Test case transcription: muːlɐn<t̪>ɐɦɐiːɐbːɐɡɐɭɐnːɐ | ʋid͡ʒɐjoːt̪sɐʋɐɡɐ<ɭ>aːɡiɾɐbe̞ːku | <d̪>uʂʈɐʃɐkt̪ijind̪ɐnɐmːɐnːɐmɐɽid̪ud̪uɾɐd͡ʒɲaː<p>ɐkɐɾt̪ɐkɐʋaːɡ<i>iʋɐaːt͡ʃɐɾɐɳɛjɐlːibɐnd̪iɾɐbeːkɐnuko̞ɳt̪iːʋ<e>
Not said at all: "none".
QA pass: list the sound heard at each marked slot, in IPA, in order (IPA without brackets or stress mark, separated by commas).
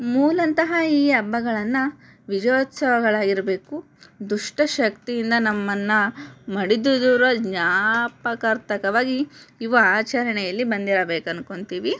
t̪, ɭ, d̪, p, i, i